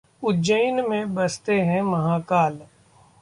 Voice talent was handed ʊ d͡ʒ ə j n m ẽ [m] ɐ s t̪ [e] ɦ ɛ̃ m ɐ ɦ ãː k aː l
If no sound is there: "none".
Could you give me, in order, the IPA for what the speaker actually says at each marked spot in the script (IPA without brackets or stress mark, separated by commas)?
b, e